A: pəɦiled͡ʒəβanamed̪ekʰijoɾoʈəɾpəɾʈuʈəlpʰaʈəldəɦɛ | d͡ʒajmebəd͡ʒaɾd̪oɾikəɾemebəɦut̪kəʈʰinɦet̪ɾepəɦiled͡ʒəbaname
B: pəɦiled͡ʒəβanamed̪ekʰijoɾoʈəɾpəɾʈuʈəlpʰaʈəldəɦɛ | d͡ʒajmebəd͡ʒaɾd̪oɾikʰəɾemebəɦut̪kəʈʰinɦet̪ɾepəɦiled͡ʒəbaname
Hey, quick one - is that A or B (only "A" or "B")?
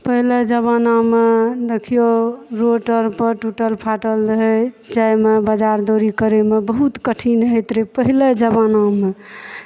A